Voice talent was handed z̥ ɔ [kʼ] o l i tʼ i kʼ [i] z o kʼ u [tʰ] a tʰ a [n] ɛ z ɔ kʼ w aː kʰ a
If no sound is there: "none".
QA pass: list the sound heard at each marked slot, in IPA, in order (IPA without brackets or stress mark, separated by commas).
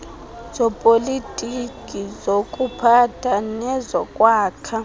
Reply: pʼ, i, pʰ, n